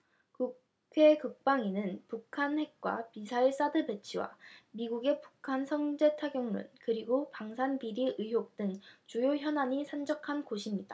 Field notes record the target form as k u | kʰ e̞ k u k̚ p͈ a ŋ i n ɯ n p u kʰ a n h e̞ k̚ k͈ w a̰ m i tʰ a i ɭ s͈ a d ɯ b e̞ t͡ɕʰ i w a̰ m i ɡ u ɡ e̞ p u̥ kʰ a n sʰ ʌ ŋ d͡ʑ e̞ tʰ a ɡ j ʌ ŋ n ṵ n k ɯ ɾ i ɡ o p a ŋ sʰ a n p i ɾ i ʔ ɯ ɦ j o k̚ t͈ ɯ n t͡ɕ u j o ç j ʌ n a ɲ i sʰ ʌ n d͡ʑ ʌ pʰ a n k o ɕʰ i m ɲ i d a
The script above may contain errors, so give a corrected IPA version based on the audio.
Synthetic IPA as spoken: k u | kʰ e̞ k ɯ k̚ p͈ a ŋ i n ɯ n p u kʰ a n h e̞ k̚ k͈ w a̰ m i sʰ a i ɭ s͈ a d ɯ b e̞ t͡ɕʰ i w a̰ m i ɡ u ɡ e̞ p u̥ kʰ a n sʰ ʌ ŋ d͡ʑ e̞ tʰ a ɡ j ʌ ŋ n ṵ n k ɯ ɾ i ɡ o p a ŋ sʰ a n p i ɾ i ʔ ɯ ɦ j o k̚ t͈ ɯ ŋ t͡ɕ u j o ç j ʌ n a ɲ i sʰ a n d͡ʑ ʌ kʰ a n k o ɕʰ i m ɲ i d a